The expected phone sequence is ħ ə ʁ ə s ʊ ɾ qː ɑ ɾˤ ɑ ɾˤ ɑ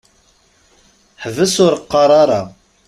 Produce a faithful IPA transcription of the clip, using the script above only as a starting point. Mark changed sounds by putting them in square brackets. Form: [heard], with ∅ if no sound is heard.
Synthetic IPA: ħ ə [v] ə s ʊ ɾ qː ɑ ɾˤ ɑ ɾˤ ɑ

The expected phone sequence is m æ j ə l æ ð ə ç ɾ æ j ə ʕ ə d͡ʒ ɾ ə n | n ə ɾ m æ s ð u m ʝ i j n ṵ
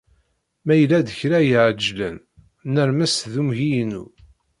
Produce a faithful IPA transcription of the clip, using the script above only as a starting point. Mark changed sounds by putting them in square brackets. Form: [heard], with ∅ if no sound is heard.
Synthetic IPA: m æ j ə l æ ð ə ç ɾ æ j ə ʕ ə d͡ʒ [l] ə n | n ə ɾ m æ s ð u m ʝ i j n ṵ

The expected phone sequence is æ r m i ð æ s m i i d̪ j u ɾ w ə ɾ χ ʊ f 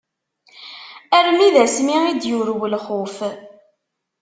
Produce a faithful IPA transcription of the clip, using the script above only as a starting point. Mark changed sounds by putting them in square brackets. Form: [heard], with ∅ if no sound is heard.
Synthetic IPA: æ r m i ð æ s m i i d̪ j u ɾ w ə [l] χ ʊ f

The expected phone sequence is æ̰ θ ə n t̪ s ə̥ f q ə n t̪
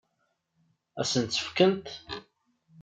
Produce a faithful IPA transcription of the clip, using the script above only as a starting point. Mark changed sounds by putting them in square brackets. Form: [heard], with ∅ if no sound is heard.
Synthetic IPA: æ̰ [s] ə n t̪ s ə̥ f [k] ə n t̪

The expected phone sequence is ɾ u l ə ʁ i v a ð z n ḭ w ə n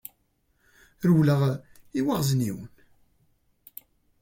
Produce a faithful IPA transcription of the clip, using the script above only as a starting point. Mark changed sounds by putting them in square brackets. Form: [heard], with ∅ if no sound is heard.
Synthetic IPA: ɾ [w] l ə ʁ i [w] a [ʁ] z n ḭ w ə n

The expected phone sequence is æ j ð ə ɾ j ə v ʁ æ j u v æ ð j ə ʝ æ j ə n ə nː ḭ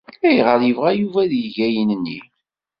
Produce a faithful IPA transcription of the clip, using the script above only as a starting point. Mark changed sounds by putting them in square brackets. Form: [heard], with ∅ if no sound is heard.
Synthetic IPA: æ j [ʁ] ə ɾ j ə v ʁ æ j u v æ ð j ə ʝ æ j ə n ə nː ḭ

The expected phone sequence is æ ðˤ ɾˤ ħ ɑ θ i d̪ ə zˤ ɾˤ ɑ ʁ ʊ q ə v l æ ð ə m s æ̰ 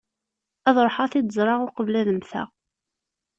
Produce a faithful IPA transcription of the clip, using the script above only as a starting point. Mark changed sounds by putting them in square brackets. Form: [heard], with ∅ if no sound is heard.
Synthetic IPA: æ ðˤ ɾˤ ħ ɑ θ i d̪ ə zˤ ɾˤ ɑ ʁ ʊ q ə v l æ ð ə m [θ] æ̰

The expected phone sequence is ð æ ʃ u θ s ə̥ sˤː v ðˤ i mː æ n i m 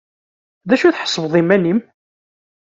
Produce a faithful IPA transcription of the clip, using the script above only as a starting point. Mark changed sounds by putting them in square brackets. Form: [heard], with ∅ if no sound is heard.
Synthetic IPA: ð æ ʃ u θ [ħ] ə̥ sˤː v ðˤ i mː æ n i m

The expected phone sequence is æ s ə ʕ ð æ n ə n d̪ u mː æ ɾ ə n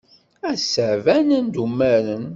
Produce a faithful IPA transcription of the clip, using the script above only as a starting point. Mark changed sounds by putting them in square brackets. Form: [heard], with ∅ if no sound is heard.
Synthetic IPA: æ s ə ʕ [v] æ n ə n d̪ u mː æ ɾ ə n

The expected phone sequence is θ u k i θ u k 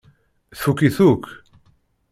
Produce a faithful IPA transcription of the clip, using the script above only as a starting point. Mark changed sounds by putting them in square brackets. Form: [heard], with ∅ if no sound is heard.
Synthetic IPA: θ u k i θ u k

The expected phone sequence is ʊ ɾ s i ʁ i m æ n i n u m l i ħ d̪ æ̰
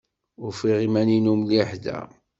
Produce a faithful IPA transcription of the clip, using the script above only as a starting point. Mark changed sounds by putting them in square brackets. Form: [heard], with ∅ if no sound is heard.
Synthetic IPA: ʊ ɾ [f] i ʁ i m æ n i n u m l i ħ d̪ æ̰

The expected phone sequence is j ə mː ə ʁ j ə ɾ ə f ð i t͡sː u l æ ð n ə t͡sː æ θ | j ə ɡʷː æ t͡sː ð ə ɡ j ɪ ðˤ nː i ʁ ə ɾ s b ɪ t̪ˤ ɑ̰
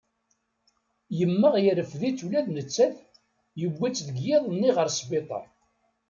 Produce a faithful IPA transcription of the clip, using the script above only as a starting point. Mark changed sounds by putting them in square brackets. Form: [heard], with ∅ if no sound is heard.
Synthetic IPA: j ə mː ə ʁ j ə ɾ ə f ð i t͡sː u l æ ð n ə t͡sː æ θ | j ə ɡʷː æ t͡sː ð ə ɡ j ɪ ðˤ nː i ʁ ə ɾ s b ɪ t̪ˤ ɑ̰

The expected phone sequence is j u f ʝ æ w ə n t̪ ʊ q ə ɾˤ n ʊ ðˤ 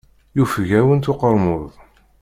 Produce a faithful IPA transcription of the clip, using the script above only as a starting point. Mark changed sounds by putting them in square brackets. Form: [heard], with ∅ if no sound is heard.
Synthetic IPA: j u f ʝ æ w ə n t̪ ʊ q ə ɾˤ [m] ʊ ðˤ

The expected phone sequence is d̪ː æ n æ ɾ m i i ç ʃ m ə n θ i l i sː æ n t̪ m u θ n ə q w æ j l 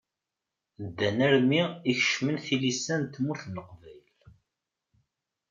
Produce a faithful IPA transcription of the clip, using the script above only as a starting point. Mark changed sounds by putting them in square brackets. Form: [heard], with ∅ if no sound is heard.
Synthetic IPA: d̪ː æ n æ ɾ m i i ç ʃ m ə n θ i l i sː æ n t̪ m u θ n ə q [v] æ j l

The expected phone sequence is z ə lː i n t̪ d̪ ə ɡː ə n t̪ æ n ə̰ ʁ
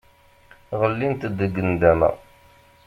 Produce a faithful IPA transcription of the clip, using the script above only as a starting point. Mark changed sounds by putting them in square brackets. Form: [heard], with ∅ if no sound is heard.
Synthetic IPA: [ʁ] ə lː i n t̪ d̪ ə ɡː ə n [d̪] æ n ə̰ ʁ

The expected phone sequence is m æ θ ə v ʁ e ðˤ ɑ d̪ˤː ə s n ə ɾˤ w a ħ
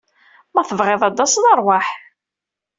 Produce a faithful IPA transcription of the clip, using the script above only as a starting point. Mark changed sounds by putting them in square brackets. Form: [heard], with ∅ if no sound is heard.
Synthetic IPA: m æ θ ə v ʁ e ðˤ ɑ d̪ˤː [ɑ] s n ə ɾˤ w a ħ

